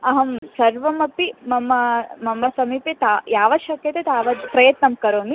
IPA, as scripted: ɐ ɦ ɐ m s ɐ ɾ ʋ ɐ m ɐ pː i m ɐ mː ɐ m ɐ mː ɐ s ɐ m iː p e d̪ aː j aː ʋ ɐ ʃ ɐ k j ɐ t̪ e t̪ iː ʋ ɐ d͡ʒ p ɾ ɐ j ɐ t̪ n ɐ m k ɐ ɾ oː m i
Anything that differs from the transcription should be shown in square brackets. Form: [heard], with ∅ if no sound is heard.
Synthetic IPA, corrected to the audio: ɐ ɦ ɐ m s ɐ ɾ ʋ ɐ m ɐ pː i m ɐ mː ɐ m ɐ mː ɐ s ɐ m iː p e [t̪] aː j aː ʋ ɐ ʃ ɐ k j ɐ t̪ e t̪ [aː] ʋ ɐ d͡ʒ p ɾ ɐ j ɐ t̪ n ɐ m k ɐ ɾ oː m i